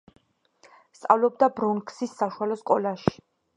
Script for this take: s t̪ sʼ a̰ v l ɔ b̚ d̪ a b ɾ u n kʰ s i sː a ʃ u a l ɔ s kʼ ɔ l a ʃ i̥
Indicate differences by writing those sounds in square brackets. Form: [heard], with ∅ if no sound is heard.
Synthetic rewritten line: s t̪ sʼ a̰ v l ɔ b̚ d̪ a b ɾ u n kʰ s i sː a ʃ u a l ɔ s kʼ ɔ l a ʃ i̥